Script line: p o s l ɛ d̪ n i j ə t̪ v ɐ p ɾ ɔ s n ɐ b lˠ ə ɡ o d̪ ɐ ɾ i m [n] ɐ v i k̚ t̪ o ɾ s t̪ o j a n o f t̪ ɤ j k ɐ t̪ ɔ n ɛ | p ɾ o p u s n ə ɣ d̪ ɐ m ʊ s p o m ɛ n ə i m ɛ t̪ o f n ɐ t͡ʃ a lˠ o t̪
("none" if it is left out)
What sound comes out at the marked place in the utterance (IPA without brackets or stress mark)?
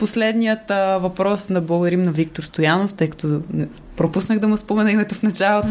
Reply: n